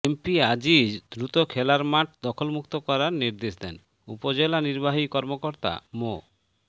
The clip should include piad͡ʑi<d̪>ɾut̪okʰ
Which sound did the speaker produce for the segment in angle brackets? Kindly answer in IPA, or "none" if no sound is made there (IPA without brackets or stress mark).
d̪